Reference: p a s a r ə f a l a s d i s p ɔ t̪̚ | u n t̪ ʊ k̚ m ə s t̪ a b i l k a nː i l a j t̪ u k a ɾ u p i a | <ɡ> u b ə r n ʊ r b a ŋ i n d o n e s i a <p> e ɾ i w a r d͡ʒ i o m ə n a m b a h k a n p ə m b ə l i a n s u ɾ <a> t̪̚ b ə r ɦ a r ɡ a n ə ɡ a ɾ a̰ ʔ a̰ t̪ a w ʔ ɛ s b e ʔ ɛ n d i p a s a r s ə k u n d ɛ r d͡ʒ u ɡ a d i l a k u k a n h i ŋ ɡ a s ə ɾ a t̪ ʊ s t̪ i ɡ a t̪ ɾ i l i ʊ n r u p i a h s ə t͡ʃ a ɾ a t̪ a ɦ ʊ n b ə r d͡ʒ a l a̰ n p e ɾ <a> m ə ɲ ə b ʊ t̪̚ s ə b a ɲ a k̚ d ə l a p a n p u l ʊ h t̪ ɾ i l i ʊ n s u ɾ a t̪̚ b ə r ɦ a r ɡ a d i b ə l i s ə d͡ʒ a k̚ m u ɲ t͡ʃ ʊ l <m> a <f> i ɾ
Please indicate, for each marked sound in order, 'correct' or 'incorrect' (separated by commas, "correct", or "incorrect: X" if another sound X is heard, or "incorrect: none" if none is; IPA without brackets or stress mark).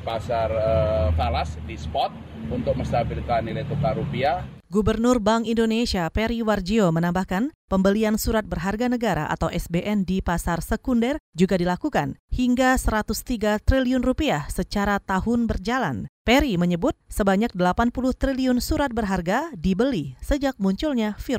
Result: correct, correct, correct, incorrect: i, incorrect: ɲ, correct